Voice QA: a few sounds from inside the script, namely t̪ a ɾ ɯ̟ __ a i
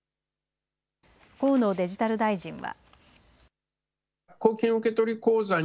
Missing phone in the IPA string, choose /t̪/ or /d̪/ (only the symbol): d̪